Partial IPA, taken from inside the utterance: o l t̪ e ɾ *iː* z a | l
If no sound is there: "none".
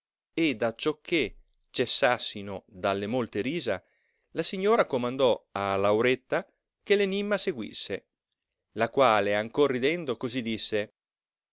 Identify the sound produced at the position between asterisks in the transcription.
iː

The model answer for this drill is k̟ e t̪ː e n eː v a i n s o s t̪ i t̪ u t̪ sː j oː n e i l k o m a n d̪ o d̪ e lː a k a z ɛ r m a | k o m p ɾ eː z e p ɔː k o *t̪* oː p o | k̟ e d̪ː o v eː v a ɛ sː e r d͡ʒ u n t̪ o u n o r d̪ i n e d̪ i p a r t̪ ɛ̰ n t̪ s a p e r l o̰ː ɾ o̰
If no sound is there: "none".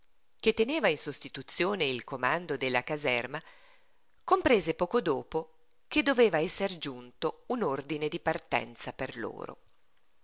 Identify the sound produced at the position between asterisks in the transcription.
d̪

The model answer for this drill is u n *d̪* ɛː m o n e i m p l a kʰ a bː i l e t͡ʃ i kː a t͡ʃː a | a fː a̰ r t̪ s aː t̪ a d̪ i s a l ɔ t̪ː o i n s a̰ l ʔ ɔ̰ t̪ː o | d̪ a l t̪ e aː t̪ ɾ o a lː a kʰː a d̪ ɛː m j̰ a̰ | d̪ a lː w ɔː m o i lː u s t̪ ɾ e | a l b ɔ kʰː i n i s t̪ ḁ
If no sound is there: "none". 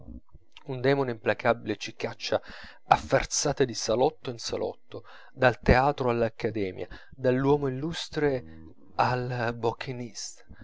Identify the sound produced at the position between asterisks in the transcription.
d̪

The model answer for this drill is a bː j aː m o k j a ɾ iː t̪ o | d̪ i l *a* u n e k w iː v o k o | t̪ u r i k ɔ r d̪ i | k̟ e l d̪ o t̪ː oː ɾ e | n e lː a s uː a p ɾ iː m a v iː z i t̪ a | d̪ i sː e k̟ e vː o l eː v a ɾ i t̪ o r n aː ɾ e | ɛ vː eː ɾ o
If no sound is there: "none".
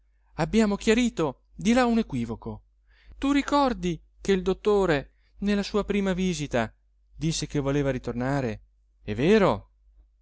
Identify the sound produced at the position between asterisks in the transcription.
a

